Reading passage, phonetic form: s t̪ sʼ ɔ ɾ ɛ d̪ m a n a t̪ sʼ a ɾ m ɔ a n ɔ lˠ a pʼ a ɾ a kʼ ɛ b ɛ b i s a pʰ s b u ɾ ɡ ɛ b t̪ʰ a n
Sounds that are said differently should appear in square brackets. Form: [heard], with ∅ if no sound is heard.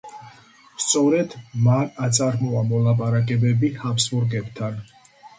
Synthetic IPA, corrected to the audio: s t̪ sʼ ɔ ɾ ɛ d̪ m a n a t̪ sʼ a ɾ m ɔ a [m] ɔ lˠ a pʼ a ɾ a kʼ ɛ b ɛ b i [h] a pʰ s b u ɾ ɡ ɛ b t̪ʰ a n